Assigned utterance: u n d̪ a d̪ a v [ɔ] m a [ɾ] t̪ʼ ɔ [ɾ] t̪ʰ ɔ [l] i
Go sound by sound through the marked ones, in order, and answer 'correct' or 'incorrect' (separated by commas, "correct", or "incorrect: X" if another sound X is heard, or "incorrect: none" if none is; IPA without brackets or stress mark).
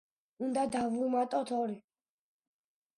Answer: incorrect: u, incorrect: none, incorrect: none, incorrect: ɾ